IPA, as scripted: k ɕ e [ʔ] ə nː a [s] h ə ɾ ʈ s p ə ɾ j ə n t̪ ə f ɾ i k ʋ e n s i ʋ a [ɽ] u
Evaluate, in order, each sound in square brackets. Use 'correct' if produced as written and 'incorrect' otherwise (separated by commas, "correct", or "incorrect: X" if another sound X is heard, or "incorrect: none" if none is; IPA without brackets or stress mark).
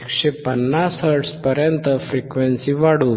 incorrect: p, correct, correct